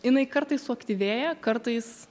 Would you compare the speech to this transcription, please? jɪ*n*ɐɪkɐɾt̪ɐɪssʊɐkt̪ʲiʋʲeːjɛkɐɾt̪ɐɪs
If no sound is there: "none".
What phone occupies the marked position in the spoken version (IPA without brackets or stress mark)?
n